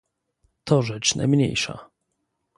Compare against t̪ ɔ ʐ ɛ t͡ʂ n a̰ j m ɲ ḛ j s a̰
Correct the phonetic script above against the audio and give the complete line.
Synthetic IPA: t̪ ɔ ʐ ɛ t͡ʂ n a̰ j m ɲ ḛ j ʂ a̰